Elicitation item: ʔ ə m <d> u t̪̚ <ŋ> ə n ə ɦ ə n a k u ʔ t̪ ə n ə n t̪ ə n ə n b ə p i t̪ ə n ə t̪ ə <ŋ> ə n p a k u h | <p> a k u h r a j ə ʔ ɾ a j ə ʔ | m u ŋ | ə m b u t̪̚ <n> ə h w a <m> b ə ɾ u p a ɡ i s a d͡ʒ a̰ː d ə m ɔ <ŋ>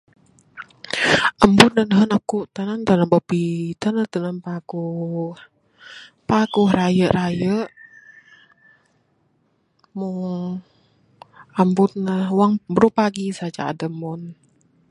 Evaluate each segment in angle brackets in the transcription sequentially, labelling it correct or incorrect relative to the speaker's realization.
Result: incorrect: b, incorrect: n, incorrect: n, correct, correct, incorrect: ŋ, incorrect: n

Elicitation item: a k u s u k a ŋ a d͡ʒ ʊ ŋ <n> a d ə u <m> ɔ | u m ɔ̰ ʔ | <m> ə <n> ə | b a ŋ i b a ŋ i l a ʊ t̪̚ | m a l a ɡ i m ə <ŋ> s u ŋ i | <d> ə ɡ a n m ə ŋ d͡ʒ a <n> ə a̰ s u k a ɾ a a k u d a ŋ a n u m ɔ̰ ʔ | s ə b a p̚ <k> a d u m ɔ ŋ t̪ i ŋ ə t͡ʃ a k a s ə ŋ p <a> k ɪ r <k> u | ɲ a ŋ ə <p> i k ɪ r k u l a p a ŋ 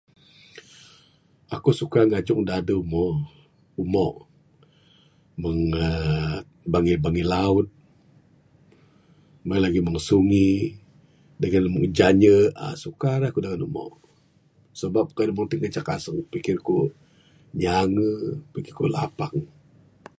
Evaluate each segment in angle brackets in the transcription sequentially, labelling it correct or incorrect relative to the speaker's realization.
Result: incorrect: d, correct, correct, incorrect: ŋ, correct, correct, incorrect: ɲ, correct, incorrect: i, correct, correct

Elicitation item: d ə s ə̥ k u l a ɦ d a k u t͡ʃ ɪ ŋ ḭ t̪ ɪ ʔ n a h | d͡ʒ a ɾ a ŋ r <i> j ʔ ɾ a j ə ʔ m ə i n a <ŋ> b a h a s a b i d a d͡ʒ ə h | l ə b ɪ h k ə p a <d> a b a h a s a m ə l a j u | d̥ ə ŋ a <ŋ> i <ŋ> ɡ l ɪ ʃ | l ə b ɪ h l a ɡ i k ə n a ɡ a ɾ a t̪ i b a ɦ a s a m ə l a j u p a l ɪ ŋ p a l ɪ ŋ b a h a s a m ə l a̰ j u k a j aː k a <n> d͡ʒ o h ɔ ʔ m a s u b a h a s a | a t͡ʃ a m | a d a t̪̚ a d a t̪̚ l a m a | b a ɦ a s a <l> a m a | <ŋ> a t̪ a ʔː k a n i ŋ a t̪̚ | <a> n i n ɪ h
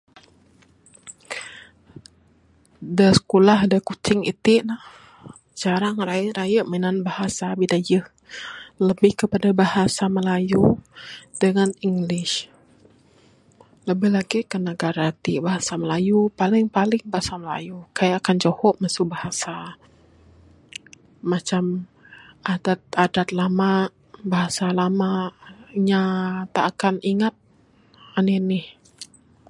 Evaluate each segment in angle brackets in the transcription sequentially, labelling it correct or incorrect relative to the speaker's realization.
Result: incorrect: a, incorrect: n, correct, incorrect: n, correct, correct, correct, incorrect: ɲ, correct

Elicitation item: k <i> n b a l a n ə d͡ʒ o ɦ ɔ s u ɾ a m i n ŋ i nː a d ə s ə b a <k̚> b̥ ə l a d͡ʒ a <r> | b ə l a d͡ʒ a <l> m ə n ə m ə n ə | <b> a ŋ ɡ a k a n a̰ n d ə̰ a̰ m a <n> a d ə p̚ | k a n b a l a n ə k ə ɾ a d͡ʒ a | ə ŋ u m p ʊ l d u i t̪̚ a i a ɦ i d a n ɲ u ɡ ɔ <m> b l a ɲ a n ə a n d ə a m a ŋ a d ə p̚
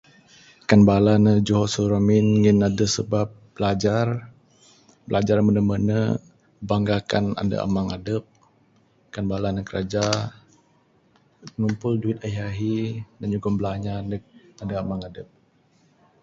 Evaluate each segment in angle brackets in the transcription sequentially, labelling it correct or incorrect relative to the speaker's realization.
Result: incorrect: a, incorrect: p̚, correct, incorrect: r, correct, incorrect: ŋ, correct

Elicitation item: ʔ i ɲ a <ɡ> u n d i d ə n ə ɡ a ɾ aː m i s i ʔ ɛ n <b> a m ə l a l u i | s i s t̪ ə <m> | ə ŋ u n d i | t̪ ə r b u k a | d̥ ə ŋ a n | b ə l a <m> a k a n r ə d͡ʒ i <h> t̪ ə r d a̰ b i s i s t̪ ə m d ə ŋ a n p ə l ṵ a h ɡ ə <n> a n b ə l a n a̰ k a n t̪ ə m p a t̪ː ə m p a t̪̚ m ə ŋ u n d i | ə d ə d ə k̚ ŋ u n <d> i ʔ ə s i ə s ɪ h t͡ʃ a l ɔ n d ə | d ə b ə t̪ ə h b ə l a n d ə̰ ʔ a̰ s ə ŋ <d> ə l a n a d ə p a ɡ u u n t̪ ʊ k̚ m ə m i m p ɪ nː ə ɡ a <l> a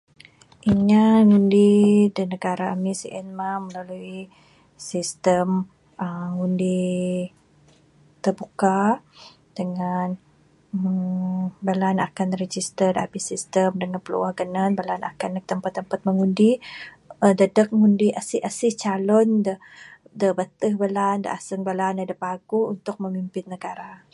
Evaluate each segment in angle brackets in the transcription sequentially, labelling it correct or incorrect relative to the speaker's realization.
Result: incorrect: ŋ, incorrect: m, correct, incorrect: n, incorrect: s, correct, correct, incorrect: b, incorrect: ɾ

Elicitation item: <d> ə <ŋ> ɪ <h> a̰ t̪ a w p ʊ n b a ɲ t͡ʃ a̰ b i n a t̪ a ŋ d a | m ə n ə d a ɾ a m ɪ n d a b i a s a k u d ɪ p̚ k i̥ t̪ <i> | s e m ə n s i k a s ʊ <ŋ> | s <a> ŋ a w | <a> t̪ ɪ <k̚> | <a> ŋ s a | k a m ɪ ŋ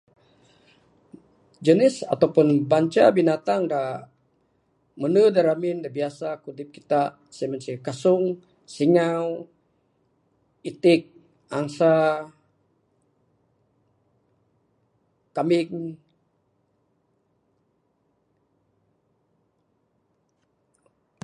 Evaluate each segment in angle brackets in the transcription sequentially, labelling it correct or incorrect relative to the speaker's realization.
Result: incorrect: d͡ʒ, incorrect: n, incorrect: s, incorrect: a, correct, incorrect: i, incorrect: i, correct, correct

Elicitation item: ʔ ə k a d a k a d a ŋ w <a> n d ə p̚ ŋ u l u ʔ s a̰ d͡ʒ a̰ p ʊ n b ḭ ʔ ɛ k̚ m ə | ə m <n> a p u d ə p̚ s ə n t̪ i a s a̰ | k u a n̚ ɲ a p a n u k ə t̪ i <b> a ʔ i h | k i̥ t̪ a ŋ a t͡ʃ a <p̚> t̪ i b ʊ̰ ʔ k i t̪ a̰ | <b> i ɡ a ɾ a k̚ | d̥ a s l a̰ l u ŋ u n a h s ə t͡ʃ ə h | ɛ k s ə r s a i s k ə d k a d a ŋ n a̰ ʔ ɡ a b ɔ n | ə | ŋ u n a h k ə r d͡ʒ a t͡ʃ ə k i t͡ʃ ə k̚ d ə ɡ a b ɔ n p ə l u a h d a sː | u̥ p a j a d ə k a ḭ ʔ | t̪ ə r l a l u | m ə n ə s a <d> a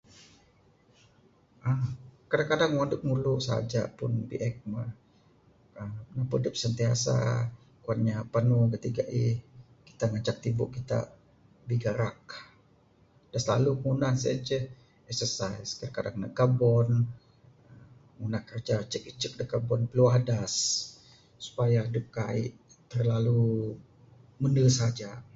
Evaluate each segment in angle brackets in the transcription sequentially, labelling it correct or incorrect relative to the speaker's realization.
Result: correct, correct, incorrect: ɡ, incorrect: k̚, correct, incorrect: d͡ʒ

